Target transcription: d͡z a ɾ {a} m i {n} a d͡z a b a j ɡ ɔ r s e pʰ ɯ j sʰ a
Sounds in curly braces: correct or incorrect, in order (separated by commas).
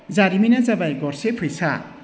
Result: incorrect, correct